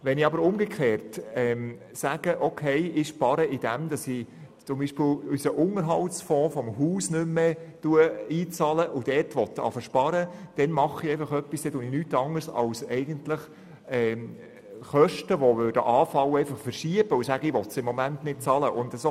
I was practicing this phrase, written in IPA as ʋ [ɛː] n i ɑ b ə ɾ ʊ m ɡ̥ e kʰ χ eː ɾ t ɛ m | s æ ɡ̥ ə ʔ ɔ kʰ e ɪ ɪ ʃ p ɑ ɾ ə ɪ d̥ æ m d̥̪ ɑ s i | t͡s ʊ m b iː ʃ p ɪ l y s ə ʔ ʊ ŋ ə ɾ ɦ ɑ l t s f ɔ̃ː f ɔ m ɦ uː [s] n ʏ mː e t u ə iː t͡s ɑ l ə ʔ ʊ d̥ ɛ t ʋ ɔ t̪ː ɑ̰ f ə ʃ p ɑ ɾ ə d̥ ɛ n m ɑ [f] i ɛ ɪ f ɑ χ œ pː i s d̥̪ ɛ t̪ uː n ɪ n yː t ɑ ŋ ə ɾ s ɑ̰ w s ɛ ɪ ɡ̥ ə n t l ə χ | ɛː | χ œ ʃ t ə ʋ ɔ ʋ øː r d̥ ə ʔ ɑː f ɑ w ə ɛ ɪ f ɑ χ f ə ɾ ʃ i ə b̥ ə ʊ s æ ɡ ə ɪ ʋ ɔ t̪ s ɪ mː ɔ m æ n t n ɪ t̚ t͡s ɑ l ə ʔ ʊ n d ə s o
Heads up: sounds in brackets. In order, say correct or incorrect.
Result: incorrect: ɛ, correct, incorrect: χ

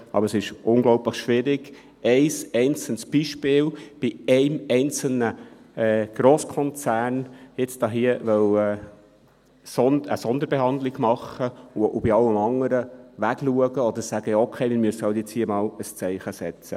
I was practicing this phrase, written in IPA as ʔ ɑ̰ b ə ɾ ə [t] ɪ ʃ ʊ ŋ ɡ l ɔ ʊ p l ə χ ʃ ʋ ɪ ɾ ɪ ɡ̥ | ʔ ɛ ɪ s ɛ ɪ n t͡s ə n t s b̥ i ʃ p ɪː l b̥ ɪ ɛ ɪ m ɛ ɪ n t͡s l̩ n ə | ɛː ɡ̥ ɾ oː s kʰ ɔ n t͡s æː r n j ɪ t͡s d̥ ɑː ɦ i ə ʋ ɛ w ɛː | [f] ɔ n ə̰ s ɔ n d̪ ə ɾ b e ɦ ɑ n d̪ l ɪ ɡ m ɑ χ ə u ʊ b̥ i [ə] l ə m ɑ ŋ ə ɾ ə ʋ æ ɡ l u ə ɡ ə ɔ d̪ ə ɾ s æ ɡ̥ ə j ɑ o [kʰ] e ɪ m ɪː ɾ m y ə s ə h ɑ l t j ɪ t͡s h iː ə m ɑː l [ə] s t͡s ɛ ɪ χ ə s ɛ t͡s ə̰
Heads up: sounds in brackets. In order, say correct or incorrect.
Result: incorrect: s, incorrect: s, incorrect: ɑ, correct, correct

